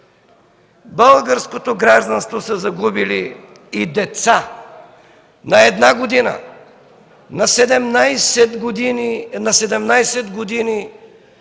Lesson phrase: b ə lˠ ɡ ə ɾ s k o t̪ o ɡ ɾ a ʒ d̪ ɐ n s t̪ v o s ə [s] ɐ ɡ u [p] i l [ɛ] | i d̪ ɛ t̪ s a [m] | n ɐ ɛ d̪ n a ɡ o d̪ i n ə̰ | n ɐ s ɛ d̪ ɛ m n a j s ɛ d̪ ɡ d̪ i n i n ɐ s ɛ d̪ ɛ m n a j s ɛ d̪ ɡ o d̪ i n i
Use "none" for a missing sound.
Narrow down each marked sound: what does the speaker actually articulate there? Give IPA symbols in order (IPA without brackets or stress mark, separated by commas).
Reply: z, b, i, none